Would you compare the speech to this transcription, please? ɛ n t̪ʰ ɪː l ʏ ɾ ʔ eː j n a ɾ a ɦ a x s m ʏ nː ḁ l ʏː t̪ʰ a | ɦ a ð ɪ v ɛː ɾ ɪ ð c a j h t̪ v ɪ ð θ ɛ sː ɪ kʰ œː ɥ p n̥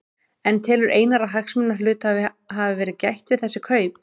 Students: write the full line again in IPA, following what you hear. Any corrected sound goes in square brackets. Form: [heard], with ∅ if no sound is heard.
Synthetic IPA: ɛ n t̪ʰ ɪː l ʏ ɾ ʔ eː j n a ɾ a ɦ a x s m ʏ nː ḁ l ʏː [t̪] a | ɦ a [v] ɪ v ɛː ɾ ɪ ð c a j h t̪ v ɪ ð θ ɛ sː ɪ kʰ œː ɥ p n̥